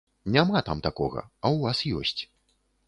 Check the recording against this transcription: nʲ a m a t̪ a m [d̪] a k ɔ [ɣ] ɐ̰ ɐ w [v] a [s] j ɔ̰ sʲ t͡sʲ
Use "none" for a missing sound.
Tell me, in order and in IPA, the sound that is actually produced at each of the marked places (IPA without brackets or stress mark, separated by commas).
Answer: t̪, ɣ, v, s